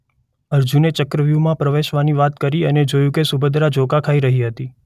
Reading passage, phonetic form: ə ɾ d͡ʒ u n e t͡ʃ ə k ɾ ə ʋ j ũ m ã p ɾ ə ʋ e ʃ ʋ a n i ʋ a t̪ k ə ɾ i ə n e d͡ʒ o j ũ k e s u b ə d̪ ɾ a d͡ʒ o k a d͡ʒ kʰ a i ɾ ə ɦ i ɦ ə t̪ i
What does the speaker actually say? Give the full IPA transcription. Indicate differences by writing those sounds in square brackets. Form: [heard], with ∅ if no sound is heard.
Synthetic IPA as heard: ə ɾ d͡ʒ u n e t͡ʃ ə k ɾ ə ʋ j [u] m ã p ɾ ə ʋ e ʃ ʋ a n i ʋ a t̪ k ə ɾ i ə n e d͡ʒ o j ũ k e s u b ə d̪ ɾ a d͡ʒ o k a [∅] kʰ a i ɾ ə ɦ i ɦ ə t̪ i